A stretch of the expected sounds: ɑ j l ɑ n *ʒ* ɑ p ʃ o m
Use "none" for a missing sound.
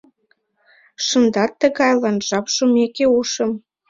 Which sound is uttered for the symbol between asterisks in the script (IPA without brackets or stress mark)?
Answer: ʒ